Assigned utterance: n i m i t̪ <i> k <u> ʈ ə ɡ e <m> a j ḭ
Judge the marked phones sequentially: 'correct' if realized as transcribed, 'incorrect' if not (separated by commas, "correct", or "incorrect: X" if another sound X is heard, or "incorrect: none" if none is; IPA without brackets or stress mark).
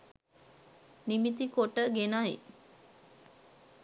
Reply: correct, incorrect: o, incorrect: n